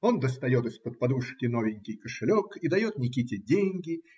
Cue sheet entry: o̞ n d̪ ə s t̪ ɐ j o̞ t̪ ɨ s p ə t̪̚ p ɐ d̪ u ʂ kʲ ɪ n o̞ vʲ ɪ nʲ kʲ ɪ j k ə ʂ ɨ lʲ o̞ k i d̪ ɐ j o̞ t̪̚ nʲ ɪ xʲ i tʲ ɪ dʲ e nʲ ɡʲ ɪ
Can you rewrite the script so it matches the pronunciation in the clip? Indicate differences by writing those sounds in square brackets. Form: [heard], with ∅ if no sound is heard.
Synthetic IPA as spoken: o̞ n d̪ ə s t̪ ɐ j o̞ t̪ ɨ s p ə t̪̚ p ɐ d̪ u ʂ kʲ ɪ n o̞ vʲ ɪ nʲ kʲ ɪ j k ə ʂ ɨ lʲ o̞ k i d̪ ɐ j o̞ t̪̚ nʲ ɪ [kʲ] i tʲ ɪ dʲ e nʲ ɡʲ ɪ